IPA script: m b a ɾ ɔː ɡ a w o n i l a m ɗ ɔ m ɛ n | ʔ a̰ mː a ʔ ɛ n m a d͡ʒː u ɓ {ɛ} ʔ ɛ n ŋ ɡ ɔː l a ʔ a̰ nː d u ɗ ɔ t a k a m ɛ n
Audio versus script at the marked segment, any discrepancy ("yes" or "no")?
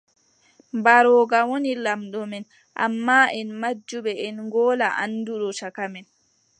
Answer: no